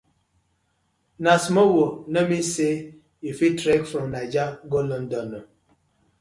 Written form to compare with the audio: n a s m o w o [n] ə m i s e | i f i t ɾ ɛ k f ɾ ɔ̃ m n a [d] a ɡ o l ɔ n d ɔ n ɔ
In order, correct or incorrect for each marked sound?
correct, incorrect: d͡ʒ

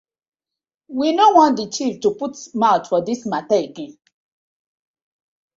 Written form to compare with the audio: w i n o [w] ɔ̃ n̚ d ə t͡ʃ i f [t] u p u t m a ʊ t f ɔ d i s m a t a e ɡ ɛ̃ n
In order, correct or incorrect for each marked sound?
correct, correct

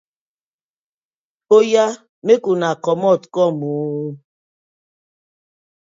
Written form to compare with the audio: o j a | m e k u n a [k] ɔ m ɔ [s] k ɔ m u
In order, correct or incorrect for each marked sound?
correct, incorrect: t

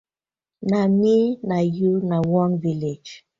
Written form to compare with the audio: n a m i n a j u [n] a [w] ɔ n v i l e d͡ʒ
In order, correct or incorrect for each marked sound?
correct, correct

